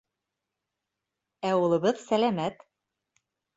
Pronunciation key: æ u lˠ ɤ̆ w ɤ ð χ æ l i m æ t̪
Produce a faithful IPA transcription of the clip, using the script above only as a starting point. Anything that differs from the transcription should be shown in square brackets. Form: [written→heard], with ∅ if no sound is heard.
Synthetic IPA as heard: æ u lˠ ɤ̆ [w→β] ɤ ð [χ→s] æ l [i→æ] m æ t̪